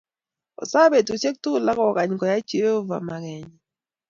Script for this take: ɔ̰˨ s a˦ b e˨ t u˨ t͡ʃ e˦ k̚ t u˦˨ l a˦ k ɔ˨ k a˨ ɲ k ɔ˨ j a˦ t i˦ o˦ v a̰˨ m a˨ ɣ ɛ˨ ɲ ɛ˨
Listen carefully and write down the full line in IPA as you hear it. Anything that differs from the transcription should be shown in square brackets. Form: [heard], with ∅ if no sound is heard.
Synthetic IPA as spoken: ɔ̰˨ s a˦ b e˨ t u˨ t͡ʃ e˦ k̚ t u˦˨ l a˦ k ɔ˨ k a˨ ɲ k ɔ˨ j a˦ [t͡ʃ] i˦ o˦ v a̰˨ m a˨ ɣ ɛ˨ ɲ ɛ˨